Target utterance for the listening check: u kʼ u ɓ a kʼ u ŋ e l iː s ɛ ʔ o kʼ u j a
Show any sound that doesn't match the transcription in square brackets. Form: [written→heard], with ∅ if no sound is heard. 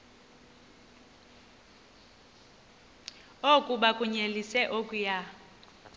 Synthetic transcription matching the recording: [u→o] kʼ u ɓ a kʼ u [ŋ→ɲ] e l [iː→i] s ɛ ʔ o kʼ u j a